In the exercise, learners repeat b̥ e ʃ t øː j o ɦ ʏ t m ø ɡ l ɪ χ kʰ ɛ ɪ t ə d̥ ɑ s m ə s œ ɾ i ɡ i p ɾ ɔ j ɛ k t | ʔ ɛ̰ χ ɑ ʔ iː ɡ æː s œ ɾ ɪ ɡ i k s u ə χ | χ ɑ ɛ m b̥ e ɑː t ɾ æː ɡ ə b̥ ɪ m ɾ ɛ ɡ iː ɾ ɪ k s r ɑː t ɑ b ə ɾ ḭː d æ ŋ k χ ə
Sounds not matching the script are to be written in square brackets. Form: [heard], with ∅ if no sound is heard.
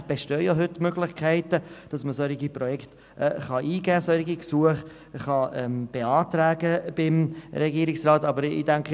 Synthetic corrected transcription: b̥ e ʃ t øː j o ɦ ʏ t m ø ɡ l ɪ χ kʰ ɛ ɪ t ə d̥ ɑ s m ə s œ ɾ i ɡ i p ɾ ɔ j ɛ k t | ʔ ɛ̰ χ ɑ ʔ iː ɡ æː s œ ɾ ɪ ɡ i k s u ə χ | χ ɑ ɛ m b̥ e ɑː t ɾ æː ɡ ə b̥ ɪ m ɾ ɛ ɡ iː ɾ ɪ k s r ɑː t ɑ b ə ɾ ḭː d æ ŋ k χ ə